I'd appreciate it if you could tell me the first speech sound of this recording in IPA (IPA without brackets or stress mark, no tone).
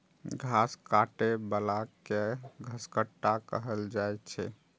ɡʱ